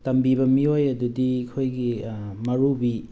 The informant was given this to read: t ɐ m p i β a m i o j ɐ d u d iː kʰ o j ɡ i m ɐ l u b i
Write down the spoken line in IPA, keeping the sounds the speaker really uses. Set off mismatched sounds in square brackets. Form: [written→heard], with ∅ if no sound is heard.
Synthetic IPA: t ɐ m [p→b] i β [a→ɐ] m i o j ɐ d u d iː kʰ o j ɡ i m ɐ [l→ɾ] u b i